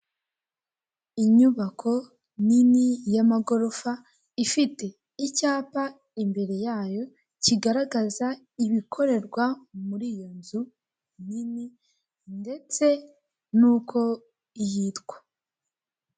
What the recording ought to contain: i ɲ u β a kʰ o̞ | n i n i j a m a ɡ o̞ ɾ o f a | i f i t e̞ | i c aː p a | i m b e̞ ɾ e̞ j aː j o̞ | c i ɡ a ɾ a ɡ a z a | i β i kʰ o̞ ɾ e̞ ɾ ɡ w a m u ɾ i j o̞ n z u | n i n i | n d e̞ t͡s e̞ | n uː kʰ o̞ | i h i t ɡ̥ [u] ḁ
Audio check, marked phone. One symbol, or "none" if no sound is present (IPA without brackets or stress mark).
w